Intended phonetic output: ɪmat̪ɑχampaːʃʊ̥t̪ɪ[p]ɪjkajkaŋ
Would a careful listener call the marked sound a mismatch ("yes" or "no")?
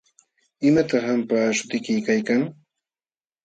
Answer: yes